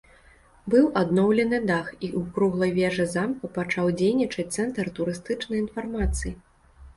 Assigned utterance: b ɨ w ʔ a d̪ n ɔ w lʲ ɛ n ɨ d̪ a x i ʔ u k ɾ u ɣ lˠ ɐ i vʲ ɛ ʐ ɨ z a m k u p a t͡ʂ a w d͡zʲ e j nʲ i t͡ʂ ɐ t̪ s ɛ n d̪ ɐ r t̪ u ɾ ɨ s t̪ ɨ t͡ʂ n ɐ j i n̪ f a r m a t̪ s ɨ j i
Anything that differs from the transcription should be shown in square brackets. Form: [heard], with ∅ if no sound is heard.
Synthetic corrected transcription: b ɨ w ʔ a d̪ n ɔ w lʲ ɛ n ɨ d̪ a x i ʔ u k ɾ u ɣ lˠ ɐ [j] vʲ ɛ ʐ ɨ z a m k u p a t͡ʂ a w d͡zʲ e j nʲ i t͡ʂ ɐ t̪ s ɛ n [t̪] ɐ r t̪ u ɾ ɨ s t̪ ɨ t͡ʂ n ɐ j i n̪ f a r m a t̪ s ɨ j i

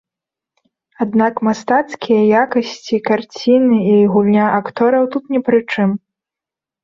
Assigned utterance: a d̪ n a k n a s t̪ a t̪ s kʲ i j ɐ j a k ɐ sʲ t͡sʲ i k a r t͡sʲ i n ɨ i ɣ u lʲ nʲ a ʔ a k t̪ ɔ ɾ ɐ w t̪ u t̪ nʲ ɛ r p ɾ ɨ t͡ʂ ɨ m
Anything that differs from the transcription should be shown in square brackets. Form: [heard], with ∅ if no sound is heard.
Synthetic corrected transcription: a d̪ n a k [m] a s t̪ a t̪ s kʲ i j ɐ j a k ɐ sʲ t͡sʲ i k a r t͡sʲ i n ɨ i ɣ u lʲ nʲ a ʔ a k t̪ ɔ ɾ ɐ w t̪ u t̪ nʲ ɛ [∅] p ɾ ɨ t͡ʂ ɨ m

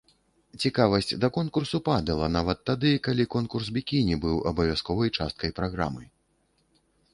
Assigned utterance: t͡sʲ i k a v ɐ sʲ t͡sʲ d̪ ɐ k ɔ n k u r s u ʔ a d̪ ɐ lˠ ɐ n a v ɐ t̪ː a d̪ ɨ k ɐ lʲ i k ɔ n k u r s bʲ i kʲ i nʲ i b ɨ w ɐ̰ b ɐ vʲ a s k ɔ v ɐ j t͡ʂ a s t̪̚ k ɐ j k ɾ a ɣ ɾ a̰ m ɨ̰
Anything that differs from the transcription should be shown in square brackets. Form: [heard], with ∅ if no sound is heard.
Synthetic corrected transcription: t͡sʲ i k a v ɐ sʲ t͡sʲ d̪ ɐ k ɔ n k u r s u [p] a d̪ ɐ lˠ ɐ n a v ɐ t̪ː a d̪ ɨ k [a] lʲ i k ɔ n k u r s bʲ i kʲ i nʲ i b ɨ w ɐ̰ b ɐ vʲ a s k ɔ v ɐ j t͡ʂ a s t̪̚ k ɐ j [p] ɾ a ɣ ɾ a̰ m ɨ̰

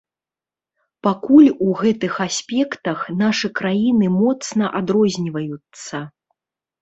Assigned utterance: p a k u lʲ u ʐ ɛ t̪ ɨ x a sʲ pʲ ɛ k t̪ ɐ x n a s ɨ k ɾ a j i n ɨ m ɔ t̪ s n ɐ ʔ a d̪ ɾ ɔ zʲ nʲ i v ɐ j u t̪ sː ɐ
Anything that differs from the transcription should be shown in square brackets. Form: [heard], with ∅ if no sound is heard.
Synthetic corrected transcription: p a k u lʲ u [ɣ] ɛ t̪ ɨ x a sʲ pʲ ɛ k t̪ ɐ x n a [ʂ] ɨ k ɾ a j i n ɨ m ɔ t̪ s n ɐ ʔ a d̪ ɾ ɔ zʲ nʲ i v ɐ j u t̪ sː ɐ

